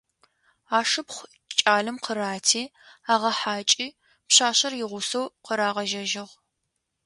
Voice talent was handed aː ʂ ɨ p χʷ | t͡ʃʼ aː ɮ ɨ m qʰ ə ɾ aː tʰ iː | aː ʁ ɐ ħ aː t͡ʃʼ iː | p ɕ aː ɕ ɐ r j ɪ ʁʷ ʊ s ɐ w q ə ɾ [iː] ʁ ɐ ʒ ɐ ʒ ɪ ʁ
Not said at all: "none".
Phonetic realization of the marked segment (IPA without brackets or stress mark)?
aː